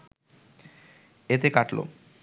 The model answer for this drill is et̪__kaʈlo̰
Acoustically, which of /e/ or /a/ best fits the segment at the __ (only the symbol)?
e